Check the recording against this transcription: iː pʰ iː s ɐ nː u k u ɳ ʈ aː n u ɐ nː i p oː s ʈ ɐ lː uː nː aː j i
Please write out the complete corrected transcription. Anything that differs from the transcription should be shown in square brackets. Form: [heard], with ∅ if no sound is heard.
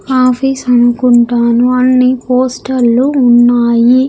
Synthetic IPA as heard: [aː] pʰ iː s ɐ [n] u k u ɳ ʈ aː n u ɐ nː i p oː s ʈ ɐ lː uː nː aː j i